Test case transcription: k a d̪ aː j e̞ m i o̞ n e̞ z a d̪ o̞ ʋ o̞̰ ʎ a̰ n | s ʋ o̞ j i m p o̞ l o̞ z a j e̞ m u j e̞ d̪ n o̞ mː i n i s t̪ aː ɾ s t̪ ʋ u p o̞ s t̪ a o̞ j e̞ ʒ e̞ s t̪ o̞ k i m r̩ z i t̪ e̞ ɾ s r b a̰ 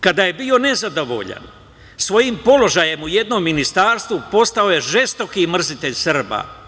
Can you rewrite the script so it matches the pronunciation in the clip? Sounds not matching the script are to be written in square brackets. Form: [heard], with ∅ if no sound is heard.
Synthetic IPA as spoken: k a d̪ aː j e̞ [b] i o̞ n e̞ z a d̪ o̞ ʋ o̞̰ ʎ a̰ n | s ʋ o̞ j i m p o̞ l o̞ [ʒ] a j e̞ m u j e̞ d̪ n o̞ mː i n i s t̪ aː ɾ s t̪ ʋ u p o̞ s t̪ a o̞ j e̞ ʒ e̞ s t̪ o̞ k i m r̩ z i t̪ e̞ [ʎ] s r b a̰